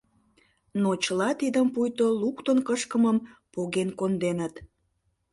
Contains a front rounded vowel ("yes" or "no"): no